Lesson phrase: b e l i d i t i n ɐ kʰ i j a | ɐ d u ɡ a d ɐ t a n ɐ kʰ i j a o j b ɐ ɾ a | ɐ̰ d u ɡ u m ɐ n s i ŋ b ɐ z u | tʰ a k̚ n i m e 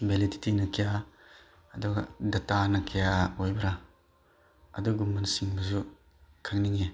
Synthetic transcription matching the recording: b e l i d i t i n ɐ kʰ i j a | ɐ d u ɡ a d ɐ t a n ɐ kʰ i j a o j b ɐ ɾ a | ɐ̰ d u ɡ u m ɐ n s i ŋ b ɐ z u | kʰ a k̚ n i ŋ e